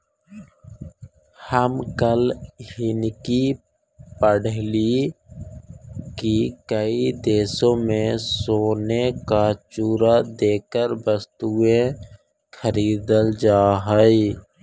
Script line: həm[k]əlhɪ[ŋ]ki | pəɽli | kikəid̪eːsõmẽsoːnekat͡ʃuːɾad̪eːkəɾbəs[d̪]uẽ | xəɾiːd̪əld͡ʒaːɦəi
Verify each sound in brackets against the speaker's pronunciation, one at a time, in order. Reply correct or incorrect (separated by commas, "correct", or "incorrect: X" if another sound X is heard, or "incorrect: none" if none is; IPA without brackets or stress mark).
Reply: correct, incorrect: n, incorrect: t̪